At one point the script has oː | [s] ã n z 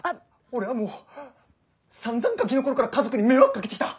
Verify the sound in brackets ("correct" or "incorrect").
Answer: correct